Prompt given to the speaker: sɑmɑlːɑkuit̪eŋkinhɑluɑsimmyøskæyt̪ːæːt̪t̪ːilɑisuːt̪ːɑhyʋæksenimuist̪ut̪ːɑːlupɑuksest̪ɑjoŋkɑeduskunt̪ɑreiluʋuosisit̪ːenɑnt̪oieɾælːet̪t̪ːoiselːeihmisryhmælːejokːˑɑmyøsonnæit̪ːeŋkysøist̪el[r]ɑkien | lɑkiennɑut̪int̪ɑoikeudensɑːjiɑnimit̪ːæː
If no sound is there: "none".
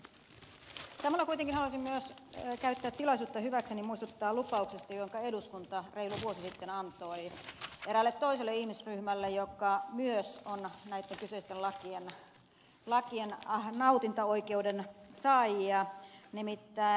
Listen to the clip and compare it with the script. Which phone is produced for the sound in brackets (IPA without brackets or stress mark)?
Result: l